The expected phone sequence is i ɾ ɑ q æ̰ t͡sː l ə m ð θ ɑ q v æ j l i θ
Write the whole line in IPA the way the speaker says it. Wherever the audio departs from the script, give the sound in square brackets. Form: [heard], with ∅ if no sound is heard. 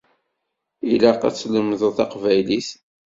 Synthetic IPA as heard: i [l] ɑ q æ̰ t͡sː l ə m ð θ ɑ q v æ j l i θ